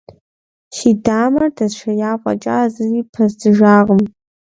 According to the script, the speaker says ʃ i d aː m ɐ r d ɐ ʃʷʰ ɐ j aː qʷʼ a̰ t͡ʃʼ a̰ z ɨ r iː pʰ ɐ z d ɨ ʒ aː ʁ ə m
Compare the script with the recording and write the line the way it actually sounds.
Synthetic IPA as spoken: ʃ i d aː m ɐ r d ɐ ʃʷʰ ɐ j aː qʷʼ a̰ t͡ʃʼ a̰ z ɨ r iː pʰ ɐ z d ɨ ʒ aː ʁ ə m